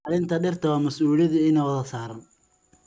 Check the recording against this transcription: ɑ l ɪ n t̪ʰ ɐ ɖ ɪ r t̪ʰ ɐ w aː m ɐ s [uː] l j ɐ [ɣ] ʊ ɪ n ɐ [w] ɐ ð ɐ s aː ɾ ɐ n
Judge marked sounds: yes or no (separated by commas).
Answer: yes, no, yes